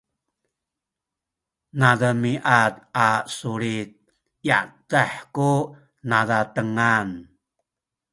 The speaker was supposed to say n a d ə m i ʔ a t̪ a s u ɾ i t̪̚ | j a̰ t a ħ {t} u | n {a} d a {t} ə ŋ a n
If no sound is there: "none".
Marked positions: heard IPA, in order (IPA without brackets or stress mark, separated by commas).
k, a, t